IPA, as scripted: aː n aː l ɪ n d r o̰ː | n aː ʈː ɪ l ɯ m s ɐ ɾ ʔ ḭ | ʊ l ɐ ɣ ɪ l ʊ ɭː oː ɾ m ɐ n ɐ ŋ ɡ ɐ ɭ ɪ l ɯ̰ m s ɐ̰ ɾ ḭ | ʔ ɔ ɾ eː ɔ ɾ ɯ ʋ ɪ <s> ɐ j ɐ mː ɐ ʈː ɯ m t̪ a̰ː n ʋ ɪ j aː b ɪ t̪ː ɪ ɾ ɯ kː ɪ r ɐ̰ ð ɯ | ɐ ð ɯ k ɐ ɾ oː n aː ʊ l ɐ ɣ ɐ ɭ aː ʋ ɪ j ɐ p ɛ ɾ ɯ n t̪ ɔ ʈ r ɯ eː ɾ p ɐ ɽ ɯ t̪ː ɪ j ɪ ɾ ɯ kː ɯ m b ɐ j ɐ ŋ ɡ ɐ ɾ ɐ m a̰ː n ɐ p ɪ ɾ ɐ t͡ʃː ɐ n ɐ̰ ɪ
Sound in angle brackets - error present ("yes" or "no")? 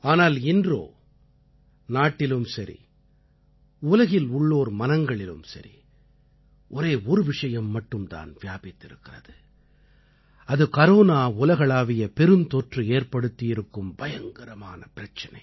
yes